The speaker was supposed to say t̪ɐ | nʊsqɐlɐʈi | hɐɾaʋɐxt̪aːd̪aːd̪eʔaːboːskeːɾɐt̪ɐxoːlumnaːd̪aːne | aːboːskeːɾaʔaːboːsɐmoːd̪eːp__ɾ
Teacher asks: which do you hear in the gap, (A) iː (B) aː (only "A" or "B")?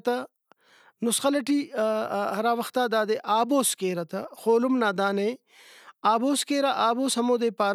B